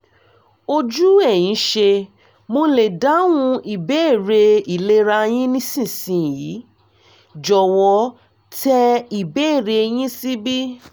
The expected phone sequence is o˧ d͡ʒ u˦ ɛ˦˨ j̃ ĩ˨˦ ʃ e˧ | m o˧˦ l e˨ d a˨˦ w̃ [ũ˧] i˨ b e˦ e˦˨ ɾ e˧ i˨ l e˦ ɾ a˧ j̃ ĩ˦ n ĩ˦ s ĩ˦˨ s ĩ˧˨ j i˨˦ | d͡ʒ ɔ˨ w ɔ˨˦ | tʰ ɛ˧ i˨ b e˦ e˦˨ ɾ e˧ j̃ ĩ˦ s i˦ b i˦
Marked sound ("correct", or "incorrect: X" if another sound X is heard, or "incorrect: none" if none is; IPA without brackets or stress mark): correct